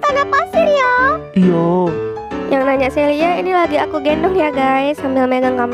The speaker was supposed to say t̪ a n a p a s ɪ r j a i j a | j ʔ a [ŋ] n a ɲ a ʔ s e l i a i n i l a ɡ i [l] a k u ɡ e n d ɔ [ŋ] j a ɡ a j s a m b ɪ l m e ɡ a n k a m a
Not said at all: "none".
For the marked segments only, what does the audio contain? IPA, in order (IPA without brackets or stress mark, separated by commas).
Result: ŋ, none, ŋ